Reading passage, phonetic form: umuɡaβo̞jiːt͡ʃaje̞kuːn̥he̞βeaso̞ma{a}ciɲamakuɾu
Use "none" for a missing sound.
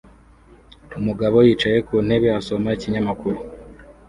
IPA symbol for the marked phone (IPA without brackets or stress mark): i